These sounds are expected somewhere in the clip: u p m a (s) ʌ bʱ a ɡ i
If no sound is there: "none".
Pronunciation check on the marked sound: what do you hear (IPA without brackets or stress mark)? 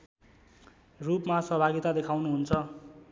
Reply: s